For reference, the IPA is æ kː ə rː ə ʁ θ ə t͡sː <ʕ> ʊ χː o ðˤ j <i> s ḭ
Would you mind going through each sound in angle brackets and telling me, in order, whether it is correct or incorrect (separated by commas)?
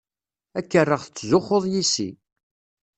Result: incorrect, correct